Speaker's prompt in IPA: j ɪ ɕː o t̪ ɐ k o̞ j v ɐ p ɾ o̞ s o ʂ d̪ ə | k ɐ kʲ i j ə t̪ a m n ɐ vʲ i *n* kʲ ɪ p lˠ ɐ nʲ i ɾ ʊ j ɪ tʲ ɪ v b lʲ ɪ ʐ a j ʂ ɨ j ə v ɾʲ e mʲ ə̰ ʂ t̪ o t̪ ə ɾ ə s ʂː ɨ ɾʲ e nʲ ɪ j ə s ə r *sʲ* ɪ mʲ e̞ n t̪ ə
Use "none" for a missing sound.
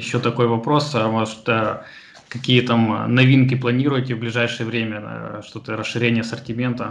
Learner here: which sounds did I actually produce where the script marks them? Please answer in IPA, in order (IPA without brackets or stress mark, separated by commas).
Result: n, tʲ